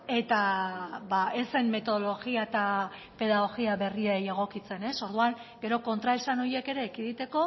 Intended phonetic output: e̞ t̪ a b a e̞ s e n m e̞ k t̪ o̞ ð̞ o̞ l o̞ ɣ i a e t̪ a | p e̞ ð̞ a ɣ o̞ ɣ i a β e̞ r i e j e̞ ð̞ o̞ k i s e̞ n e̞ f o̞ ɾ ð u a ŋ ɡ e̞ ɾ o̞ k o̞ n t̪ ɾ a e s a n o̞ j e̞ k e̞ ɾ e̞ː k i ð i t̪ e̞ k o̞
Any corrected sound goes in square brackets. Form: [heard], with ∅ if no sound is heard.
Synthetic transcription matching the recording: e̞ t̪ a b a e̞ s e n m e̞ [∅] t̪ o̞ ð̞ o̞ l o̞ ɣ i a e t̪ a | p e̞ ð̞ a ɣ o̞ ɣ i a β e̞ r i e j e̞ [ɣ̞] o̞ k i [t͡s] e̞ n e̞ [s] o̞ ɾ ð u a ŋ ɡ e̞ ɾ o̞ k o̞ n t̪ ɾ a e s a n o̞ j e̞ k e̞ ɾ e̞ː k i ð i t̪ e̞ k o̞

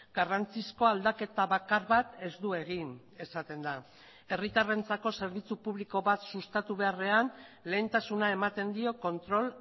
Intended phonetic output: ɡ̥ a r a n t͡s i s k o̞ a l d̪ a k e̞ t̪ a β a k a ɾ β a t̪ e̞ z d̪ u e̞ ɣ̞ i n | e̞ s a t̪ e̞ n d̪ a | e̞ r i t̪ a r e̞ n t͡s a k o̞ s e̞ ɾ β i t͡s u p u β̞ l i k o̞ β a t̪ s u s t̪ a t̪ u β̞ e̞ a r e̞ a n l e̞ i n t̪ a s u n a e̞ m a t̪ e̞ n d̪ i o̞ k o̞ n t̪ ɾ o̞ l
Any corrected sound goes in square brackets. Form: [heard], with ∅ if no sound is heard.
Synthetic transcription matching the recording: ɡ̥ a r a n t͡s i s k o̞ a l d̪ a k e̞ t̪ a β a k a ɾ β a t̪ e̞ z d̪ u e̞ ɣ̞ i n | e̞ s a t̪ e̞ n d̪ a | e̞ r i t̪ a r e̞ n t͡s a k o̞ s e̞ ɾ β i t͡s u p u β̞ l i k o̞ β a t̪ s u s t̪ a t̪ u β̞ e̞ a r e̞ a n l e̞ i n t̪ a s u n a e̞ m a t̪ e̞ n d̪ i o̞ k o̞ n t̪ ɾ o̞ l

